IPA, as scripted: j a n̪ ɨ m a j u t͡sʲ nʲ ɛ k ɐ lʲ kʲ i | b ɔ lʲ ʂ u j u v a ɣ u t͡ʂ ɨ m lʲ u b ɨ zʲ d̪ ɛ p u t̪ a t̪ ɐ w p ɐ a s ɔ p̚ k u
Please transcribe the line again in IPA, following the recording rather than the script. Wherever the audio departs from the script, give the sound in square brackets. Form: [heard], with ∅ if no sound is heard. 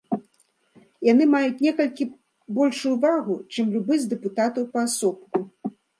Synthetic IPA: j a n̪ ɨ m a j u t͡sʲ nʲ ɛ k ɐ lʲ kʲ i | b ɔ lʲ ʂ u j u v a ɣ u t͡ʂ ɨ m lʲ u b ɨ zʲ d̪ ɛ p u t̪ a t̪ ɐ w p ɐ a s ɔ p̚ k u